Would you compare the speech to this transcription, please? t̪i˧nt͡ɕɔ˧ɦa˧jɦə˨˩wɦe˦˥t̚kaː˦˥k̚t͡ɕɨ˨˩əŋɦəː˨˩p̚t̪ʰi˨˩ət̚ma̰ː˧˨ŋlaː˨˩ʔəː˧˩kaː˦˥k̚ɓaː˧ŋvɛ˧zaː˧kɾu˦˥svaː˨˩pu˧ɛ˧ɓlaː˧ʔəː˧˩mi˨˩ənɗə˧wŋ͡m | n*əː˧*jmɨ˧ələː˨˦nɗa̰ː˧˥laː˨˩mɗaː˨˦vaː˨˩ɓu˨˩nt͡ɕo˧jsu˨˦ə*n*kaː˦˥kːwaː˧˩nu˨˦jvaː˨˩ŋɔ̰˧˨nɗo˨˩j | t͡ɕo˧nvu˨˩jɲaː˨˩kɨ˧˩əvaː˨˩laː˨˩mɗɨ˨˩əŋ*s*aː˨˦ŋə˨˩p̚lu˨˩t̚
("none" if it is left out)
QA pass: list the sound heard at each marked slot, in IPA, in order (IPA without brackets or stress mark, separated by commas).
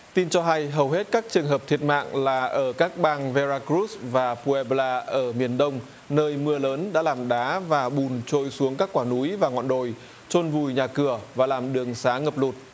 əː˧, ŋ, s